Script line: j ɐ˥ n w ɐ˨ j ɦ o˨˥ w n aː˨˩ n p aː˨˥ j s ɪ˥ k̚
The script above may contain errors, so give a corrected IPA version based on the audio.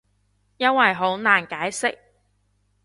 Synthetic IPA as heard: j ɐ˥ n w ɐ˨ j ɦ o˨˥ w n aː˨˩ n k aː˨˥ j s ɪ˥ k̚